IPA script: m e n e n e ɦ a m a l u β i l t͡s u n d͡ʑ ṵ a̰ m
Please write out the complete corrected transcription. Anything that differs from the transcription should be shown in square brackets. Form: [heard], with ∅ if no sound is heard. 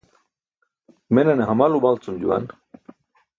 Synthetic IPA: m e n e n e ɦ a m a l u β [a] l t͡s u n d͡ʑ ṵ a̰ [n]